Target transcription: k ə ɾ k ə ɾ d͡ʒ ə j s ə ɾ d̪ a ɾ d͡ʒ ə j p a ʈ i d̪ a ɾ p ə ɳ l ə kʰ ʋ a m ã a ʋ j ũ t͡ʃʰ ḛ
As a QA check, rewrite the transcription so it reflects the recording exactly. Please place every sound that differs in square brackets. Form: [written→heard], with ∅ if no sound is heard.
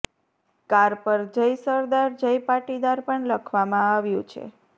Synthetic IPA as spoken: k [ə→a] ɾ [k→p] ə ɾ d͡ʒ ə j s ə ɾ d̪ a ɾ d͡ʒ ə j p a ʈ i d̪ a ɾ p ə ɳ l ə kʰ ʋ a m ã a ʋ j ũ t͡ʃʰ ḛ